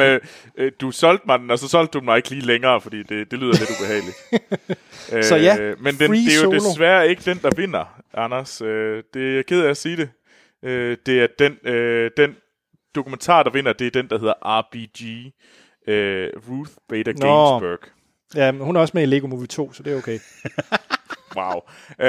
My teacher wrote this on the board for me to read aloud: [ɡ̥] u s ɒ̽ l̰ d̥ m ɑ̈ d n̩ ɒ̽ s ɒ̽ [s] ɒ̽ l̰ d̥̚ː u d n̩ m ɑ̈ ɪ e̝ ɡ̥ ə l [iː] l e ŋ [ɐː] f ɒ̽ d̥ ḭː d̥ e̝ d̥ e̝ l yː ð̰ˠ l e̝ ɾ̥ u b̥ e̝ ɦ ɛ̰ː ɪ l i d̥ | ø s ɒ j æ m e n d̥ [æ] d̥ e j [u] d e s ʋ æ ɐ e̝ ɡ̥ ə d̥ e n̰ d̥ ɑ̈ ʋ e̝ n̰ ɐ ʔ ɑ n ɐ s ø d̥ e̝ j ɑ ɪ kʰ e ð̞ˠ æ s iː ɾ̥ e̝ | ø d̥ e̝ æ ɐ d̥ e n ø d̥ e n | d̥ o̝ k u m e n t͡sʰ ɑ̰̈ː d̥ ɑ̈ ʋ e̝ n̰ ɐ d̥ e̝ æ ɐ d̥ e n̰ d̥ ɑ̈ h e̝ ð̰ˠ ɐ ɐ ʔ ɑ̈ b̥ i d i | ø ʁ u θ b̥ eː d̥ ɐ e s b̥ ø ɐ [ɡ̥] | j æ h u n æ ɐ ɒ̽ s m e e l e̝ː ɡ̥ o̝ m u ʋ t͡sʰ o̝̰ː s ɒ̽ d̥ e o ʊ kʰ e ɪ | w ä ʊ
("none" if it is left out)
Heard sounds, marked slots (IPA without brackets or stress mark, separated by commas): d̥, s, iː, ɐː, e, o, ɡ̥